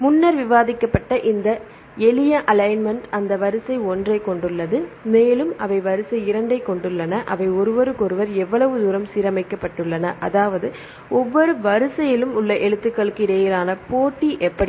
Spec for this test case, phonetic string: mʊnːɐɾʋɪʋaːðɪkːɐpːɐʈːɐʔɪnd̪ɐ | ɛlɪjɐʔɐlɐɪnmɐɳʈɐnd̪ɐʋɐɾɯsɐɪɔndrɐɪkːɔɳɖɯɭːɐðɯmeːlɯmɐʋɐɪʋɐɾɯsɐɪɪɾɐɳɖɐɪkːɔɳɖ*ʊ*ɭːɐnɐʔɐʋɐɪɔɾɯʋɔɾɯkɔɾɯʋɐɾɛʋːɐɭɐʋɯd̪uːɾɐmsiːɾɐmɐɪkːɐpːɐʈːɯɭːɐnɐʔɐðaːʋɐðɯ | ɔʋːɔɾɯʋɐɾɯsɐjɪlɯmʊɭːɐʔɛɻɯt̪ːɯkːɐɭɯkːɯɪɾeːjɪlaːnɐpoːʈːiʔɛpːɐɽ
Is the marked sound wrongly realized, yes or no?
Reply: yes